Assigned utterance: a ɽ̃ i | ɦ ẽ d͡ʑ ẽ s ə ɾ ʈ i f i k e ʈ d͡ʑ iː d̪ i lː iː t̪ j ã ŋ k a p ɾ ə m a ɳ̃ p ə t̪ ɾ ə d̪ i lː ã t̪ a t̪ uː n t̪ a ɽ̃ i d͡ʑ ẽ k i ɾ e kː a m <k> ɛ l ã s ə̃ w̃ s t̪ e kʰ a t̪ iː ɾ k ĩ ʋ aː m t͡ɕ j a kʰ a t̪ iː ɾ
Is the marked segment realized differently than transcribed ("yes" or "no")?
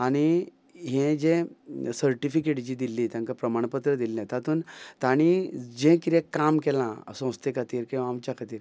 no